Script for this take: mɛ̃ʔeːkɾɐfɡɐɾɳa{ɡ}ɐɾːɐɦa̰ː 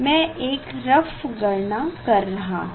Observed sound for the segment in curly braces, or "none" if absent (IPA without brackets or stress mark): k